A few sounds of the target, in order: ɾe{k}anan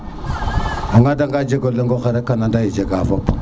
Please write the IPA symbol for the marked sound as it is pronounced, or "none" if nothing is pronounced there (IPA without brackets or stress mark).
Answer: k